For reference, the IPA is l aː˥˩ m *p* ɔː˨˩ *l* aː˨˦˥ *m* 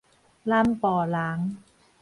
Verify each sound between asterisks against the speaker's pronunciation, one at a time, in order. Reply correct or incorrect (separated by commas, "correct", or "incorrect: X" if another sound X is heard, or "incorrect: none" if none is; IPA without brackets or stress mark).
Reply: correct, correct, incorrect: ŋ